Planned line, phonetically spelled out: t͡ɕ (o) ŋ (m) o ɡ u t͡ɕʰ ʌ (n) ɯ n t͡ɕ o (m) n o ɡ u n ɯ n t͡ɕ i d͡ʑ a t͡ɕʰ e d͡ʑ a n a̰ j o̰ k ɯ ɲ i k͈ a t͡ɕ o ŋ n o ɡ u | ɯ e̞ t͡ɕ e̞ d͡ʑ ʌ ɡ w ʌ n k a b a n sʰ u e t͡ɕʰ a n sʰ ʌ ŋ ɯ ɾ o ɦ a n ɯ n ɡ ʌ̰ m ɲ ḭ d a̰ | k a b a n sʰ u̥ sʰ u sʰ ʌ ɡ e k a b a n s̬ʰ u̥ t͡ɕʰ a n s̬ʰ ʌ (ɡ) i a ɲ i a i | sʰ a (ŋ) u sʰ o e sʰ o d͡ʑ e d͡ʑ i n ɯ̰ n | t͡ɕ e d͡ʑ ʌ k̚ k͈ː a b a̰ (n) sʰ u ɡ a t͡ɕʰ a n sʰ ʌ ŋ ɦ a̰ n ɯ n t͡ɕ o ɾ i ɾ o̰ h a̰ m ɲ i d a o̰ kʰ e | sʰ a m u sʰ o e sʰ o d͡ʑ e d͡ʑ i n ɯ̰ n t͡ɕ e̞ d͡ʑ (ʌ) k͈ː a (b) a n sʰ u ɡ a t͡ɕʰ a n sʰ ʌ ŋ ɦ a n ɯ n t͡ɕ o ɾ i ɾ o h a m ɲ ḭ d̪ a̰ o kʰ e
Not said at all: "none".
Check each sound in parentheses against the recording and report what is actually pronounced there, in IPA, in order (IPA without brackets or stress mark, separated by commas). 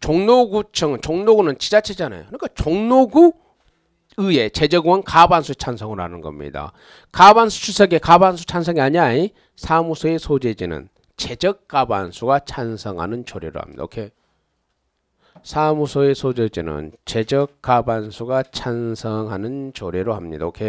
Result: o, n, ŋ, ŋ, ŋ, m, n, ʌ, b